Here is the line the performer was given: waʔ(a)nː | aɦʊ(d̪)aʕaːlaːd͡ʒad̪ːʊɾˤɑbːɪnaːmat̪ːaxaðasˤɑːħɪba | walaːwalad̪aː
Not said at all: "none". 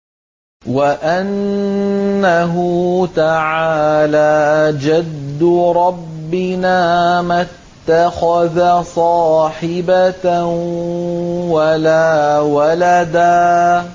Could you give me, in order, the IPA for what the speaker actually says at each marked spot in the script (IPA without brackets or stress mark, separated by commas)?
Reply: a, t̪